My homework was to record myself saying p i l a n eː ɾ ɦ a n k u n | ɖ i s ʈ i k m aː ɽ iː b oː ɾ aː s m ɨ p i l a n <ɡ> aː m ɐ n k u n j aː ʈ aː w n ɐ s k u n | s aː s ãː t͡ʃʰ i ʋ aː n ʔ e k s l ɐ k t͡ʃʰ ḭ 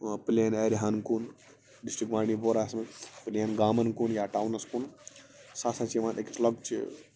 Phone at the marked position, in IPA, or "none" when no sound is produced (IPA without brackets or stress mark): ɡ